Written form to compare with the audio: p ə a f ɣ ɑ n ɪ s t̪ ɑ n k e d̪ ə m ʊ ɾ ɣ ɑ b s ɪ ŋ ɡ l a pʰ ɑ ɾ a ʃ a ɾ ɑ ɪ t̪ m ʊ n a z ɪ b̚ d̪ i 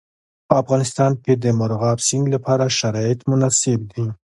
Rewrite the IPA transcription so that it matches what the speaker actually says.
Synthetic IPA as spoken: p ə a f ɣ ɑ n ɪ s t̪ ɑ n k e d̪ ə m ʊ ɾ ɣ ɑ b s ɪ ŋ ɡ l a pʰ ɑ ɾ a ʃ a ɾ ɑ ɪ t̪ m ʊ n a s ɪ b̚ d̪ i